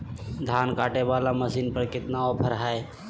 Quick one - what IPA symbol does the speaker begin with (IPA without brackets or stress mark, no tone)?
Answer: d̪ʱ